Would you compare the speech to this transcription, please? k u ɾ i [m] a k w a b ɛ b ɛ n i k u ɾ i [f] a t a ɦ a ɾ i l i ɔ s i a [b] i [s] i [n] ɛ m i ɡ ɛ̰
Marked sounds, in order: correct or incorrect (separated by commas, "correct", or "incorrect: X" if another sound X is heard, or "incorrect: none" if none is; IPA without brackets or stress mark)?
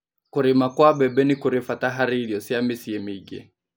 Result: correct, correct, incorrect: m, correct, incorrect: none